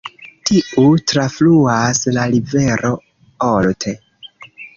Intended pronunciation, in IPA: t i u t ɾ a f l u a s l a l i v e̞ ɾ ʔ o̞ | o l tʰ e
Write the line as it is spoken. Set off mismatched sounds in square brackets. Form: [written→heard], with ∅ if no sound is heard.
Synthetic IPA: t i u t ɾ a f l u a s l a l i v e̞ ɾ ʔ o̞ | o l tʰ e

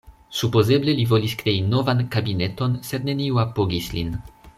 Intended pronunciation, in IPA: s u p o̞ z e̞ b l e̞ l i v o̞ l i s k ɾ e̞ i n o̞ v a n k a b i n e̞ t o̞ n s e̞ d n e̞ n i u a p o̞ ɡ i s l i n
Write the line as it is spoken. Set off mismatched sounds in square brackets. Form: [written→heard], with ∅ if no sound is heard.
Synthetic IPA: s u p o̞ z e̞ b l e̞ l i v o̞ l i s k ɾ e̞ i n o̞ v a n k a b i n e̞ t o̞ n s e̞ d n e̞ n i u a p o̞ ɡ i s l i n

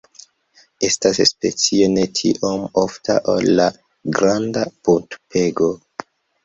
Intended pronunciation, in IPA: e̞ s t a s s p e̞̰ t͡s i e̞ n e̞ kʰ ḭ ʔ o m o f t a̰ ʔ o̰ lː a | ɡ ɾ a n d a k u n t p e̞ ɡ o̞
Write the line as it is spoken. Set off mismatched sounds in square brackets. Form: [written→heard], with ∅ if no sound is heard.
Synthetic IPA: e̞ s t a s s p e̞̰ t͡s i e̞ n e̞ [kʰ→tʰ] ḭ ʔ o m o f t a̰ ʔ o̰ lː a | ɡ ɾ a n d a [k→p] u n t p e̞ ɡ o̞

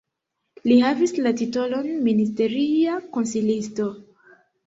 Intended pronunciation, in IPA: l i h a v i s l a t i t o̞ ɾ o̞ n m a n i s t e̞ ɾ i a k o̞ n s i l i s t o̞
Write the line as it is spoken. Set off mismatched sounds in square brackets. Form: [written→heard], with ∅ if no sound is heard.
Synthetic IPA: l i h a v i s l a t i t o̞ [ɾ→l] o̞ n m [a→i] n i s t e̞ ɾ i a k o̞ n s i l i s t o̞

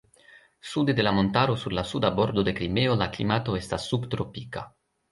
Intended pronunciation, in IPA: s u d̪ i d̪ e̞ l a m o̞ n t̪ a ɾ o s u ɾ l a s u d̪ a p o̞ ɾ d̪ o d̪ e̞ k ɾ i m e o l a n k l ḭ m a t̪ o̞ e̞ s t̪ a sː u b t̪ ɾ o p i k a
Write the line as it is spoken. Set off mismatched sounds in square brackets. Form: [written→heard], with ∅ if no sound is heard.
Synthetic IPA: s u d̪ [i→e] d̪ e̞ l a m o̞ n t̪ a ɾ o s u ɾ l a s u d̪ a [p→b] o̞ ɾ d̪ o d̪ e̞ k ɾ i m e o l a [n→∅] k l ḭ m a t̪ o̞ e̞ s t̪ a sː u b t̪ ɾ o p i k a

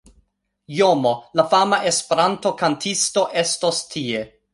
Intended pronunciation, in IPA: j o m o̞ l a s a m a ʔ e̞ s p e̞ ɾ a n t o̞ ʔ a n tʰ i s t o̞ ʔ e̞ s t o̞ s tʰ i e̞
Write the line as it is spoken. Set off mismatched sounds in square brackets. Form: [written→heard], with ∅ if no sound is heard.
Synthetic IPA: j o m o̞ l a [s→f] a m a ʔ e̞ s p e̞ ɾ a n t o̞ [ʔ→k] a n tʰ i s t o̞ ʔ e̞ s t o̞ s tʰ i e̞

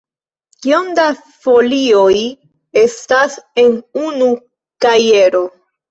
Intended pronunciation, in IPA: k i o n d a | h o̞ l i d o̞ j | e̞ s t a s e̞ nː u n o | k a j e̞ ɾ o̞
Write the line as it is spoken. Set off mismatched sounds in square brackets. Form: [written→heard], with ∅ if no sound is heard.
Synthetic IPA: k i o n d a | [h→f] o̞ l i [d→∅] o̞ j | e̞ s t a s e̞ [nː→n] u n [o→u] | k a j e̞ ɾ o̞

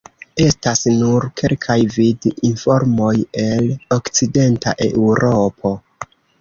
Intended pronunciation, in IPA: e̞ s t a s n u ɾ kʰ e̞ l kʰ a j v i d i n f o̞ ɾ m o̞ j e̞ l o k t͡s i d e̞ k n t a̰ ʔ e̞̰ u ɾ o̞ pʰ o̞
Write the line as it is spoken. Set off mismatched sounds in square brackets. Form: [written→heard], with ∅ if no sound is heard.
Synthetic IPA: e̞ s t a s n u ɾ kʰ e̞ l kʰ a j v i d i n f o̞ ɾ m o̞ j e̞ l o k t͡s i d e̞ [k→∅] n t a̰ ʔ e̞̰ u ɾ o̞ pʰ o̞

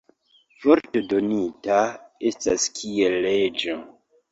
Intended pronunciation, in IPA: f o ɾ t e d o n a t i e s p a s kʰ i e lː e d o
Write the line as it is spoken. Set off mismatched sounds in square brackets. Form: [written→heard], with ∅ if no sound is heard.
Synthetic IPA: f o ɾ t e d o n [a→i] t [i→a] e s [p→t] a s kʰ i e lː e [d→d͡ʒ] o

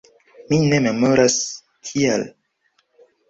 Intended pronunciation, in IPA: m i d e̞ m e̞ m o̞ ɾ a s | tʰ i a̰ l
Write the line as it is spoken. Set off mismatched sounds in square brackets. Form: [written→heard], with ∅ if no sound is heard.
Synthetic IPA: m i [d→n] e̞ m e̞ m o̞ ɾ a s | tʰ i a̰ l

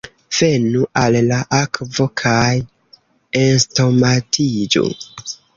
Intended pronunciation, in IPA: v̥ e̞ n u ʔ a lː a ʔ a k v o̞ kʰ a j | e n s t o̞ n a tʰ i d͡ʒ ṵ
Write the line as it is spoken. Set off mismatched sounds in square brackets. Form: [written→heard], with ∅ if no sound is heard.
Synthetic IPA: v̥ e̞ n u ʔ a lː a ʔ a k v o̞ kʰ a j | e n s t o̞ [n→m] a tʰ i d͡ʒ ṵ

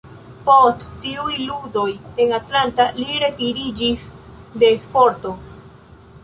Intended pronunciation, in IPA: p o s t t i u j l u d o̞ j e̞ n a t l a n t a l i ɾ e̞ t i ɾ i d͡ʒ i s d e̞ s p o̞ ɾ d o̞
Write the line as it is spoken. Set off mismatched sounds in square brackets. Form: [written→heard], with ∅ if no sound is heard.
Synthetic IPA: p o s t t i u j l u d o̞ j e̞ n a t l a n t a l i ɾ e̞ t i ɾ i d͡ʒ i s d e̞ s p o̞ ɾ [d→t] o̞

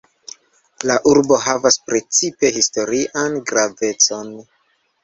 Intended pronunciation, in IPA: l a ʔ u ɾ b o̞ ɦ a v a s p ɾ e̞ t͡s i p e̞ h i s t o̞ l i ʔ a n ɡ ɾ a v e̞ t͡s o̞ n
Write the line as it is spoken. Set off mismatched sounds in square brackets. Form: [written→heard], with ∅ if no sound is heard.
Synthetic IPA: l a ʔ u ɾ b o̞ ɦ a v a s p ɾ e̞ t͡s i p e̞ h i s t o̞ [l→ɾ] i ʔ a n ɡ ɾ a v e̞ t͡s o̞ n

